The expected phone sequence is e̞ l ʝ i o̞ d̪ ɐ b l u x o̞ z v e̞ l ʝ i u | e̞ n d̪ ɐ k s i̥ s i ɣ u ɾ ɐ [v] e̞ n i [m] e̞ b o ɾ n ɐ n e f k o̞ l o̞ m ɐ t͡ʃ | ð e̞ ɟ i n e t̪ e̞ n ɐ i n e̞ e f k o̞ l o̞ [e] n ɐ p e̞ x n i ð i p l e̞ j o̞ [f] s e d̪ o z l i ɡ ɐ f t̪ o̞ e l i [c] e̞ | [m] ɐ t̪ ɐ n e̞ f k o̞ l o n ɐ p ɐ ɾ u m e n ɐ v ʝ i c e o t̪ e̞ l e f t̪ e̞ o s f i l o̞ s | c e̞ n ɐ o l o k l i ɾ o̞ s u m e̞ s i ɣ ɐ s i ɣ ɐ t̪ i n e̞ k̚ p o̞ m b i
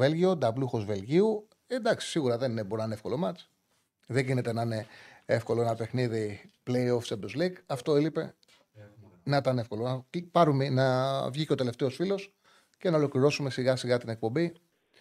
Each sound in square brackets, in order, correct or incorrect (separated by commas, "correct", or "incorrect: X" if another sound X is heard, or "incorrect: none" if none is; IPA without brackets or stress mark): incorrect: ð, incorrect: n, correct, correct, incorrect: p, incorrect: n